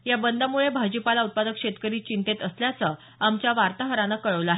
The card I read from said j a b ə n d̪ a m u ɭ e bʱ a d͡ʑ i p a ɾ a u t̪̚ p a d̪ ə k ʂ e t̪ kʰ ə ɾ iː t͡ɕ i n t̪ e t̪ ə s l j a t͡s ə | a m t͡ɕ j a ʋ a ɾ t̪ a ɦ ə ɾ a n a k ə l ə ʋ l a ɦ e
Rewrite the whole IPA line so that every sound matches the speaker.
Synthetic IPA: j a b ə n d̪ a m u ɭ e bʱ a d͡ʑ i p a l a u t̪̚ p a d̪ ə k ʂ e t̪ k ə ɾ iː t͡ɕ i n t̪ e t̪ ə s l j a t͡s ə | a m t͡ɕ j a ʋ a ɾ t̪ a ɦ ə ɾ a n a k ə ɭ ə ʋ l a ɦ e